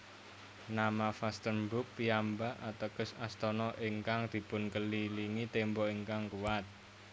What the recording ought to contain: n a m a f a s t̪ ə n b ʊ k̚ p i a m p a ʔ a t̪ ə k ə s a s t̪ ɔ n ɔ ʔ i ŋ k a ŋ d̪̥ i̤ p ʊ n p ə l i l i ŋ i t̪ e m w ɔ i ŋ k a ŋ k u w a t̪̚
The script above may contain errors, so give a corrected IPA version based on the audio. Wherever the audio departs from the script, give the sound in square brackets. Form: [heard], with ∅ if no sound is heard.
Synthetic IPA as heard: n a m a f a s t̪ ə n b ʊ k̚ p i a m [b] a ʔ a t̪ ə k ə s a s t̪ ɔ n ɔ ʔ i ŋ k a ŋ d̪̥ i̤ p ʊ n [k] ə l i l i ŋ i t̪ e m [b] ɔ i ŋ k a ŋ k u w a t̪̚